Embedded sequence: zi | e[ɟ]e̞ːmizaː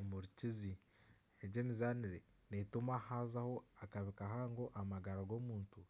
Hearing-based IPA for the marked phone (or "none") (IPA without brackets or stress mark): ɟ